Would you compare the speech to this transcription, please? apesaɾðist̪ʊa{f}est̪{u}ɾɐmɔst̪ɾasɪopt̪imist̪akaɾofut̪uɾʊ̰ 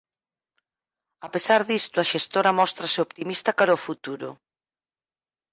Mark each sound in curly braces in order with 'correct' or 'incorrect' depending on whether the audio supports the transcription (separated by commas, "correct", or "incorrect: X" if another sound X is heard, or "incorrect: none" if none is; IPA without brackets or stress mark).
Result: incorrect: ʃ, incorrect: o